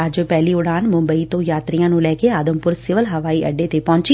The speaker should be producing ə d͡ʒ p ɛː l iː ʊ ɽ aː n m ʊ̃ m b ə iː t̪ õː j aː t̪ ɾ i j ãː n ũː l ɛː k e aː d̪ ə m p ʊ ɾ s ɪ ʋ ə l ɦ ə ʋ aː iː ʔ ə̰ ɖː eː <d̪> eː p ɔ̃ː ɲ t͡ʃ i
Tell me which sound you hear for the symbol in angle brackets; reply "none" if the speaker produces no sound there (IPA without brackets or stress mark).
t̪